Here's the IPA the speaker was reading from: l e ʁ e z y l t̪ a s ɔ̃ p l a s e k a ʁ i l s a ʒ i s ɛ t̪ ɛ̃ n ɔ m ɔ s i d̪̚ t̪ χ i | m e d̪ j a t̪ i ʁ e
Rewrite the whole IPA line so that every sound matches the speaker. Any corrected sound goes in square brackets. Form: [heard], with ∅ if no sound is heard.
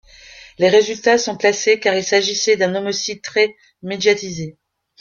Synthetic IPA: l e ʁ e z y l t̪ a s ɔ̃ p l a s e k a ʁ i l s a ʒ i s ɛ [d̪] ɛ̃ n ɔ m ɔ s i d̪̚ t̪ χ [ɛ] | m e d̪ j a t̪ i [z] e